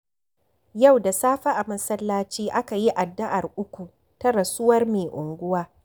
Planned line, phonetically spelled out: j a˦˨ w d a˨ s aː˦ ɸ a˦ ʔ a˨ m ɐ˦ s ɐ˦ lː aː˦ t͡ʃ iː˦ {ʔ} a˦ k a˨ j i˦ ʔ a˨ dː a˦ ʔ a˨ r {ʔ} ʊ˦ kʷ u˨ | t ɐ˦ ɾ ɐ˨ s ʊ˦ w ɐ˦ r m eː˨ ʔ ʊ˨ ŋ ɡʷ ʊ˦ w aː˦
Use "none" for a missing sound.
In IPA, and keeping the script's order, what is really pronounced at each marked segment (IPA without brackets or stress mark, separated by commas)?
ʔ, ʔ